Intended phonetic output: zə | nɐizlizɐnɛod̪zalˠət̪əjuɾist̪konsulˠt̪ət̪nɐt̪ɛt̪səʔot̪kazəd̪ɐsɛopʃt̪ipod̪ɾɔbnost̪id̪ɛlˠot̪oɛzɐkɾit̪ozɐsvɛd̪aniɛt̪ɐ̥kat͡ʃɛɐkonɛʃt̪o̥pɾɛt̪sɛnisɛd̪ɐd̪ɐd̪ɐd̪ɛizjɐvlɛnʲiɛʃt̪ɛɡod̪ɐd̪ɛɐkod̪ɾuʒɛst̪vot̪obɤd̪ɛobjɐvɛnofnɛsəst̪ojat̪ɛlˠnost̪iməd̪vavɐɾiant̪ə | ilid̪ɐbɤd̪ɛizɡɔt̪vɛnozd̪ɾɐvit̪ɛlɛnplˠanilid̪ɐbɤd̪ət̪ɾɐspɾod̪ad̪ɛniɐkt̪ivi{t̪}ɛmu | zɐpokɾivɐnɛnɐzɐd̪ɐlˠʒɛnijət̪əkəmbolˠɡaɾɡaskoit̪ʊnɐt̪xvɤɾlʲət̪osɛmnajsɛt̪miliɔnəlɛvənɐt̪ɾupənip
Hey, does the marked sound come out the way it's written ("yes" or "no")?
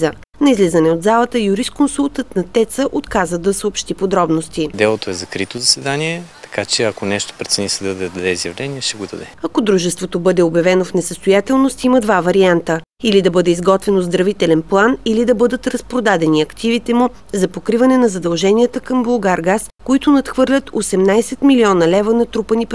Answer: yes